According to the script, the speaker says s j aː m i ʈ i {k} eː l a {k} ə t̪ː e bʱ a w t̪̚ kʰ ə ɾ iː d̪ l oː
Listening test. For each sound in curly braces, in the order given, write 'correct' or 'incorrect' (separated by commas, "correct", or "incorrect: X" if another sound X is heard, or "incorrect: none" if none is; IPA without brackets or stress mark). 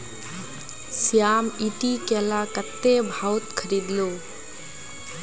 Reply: correct, correct